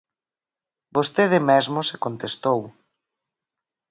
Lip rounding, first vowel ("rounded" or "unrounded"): rounded